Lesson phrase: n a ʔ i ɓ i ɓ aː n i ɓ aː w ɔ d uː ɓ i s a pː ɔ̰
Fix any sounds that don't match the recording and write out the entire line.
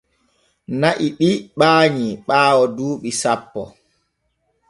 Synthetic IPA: n a ʔ i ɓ i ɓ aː ɲ i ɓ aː w ɔ d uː ɓ i s a pː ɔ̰